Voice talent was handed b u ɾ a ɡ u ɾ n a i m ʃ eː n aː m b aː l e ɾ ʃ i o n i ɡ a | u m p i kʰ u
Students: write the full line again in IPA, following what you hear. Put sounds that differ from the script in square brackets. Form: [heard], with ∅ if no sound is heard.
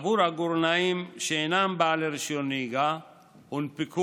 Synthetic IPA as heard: b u ɾ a ɡ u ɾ n a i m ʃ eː n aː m b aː l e ɾ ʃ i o n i ɡ a | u [n] p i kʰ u